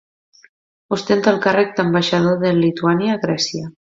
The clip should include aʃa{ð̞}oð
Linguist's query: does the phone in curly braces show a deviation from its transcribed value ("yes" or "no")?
no